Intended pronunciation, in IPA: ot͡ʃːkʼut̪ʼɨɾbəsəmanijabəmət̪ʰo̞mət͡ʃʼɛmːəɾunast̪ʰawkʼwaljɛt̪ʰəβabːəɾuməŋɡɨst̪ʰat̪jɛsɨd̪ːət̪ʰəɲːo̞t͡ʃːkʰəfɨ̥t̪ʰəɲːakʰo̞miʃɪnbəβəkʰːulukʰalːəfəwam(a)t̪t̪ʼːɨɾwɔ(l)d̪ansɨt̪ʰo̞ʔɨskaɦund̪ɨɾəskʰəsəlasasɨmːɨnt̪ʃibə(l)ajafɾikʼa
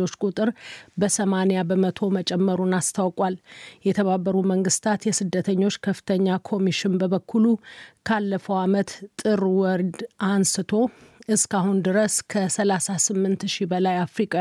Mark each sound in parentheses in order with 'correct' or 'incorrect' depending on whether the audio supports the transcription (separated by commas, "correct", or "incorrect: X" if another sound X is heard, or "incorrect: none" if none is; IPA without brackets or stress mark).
incorrect: ə, incorrect: ɾ, correct